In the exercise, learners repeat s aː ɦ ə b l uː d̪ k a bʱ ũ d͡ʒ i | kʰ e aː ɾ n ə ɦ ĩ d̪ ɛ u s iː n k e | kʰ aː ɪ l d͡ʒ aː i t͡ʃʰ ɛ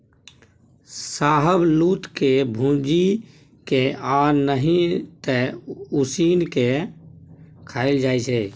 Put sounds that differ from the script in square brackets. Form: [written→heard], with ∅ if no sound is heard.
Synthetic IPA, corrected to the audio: s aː ɦ ə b l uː [d̪→t̪] k [a→e] bʱ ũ d͡ʒ i | [kʰ→k] e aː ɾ n ə ɦ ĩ [d̪→t̪] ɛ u s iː n k e | kʰ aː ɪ l d͡ʒ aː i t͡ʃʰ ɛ